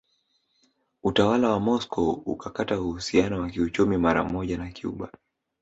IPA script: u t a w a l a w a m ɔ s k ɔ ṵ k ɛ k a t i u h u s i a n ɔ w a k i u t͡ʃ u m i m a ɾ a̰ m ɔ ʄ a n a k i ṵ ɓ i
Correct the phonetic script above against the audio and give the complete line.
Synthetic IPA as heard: u t a w a l a w a m ɔ s k ɔ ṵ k a k a t a u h u s i a n ɔ w a k i u t͡ʃ u m i m a ɾ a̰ m ɔ ʄ a n a k i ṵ ɓ a